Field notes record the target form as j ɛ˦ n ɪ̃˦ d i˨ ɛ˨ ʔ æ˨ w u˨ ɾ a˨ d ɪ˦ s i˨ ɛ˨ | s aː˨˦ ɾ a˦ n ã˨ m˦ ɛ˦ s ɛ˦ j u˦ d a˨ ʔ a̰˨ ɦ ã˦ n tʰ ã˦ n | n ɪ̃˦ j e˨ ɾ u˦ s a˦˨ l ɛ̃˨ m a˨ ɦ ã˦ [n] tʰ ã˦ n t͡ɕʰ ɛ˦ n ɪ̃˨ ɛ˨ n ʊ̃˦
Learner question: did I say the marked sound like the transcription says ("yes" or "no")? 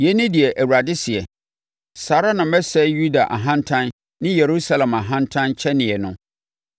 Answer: yes